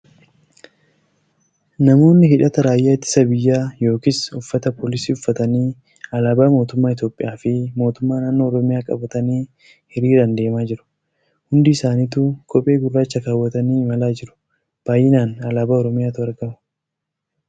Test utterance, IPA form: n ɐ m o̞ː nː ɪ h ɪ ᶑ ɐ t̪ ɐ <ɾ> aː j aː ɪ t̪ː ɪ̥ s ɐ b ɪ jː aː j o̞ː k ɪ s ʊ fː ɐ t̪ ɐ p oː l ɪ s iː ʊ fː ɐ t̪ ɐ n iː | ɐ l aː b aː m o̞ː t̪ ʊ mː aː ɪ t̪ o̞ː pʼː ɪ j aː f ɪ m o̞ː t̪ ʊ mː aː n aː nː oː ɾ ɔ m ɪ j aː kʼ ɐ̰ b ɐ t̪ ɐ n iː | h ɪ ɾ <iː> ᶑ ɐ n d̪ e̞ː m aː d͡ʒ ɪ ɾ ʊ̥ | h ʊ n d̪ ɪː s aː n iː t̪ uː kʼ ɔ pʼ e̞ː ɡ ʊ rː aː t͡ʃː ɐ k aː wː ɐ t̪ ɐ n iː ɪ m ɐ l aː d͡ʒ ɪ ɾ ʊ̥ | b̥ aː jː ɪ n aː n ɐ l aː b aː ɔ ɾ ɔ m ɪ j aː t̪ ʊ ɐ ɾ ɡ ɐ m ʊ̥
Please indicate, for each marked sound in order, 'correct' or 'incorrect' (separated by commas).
correct, correct